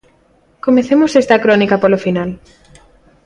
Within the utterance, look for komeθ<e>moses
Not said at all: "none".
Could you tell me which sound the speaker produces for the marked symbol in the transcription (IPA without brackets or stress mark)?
e